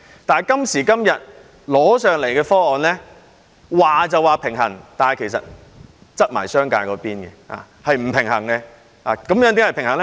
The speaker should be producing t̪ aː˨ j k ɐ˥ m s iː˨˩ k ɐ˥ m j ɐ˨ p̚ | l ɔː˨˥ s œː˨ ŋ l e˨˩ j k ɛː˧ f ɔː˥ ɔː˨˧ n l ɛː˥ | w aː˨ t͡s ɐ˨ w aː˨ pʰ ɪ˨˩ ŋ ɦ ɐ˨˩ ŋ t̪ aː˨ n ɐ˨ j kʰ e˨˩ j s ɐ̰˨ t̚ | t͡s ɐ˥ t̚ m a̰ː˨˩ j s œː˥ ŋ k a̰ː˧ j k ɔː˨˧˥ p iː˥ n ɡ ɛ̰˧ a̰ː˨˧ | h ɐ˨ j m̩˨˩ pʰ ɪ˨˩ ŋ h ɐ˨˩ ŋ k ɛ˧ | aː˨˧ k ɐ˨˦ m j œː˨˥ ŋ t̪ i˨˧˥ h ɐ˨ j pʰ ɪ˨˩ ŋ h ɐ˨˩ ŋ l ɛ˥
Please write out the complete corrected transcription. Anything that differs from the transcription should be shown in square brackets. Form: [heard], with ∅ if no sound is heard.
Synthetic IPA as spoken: t̪ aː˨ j k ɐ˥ m s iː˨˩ k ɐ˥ m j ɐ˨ [t̚] | l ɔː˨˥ s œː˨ ŋ l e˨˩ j k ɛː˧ f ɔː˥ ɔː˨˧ n l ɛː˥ | w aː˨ t͡s ɐ˨ w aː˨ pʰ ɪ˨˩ ŋ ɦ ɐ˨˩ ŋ t̪ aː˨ n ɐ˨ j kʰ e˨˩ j s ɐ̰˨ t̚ | t͡s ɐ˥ t̚ m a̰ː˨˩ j s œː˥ ŋ k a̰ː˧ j k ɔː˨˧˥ p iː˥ n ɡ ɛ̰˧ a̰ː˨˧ | h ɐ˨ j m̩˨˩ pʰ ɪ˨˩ ŋ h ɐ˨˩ ŋ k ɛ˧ | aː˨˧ k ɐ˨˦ m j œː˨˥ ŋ t̪ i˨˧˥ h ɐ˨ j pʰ ɪ˨˩ ŋ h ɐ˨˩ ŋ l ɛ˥